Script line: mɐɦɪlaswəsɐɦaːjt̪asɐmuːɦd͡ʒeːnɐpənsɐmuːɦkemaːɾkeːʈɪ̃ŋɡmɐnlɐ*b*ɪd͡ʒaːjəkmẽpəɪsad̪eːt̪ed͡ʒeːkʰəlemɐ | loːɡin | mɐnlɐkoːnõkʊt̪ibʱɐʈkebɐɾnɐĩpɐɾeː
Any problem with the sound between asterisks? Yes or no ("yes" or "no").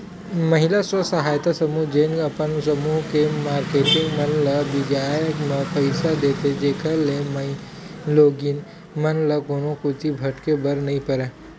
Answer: no